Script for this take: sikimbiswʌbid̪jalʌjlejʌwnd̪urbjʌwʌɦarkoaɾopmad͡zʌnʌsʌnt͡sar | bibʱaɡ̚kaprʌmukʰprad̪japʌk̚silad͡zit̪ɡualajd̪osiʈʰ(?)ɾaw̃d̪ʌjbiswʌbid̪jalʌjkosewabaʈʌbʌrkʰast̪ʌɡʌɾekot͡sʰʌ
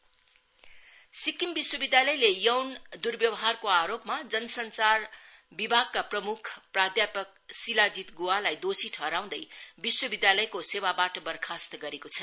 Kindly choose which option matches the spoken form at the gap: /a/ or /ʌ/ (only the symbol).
ʌ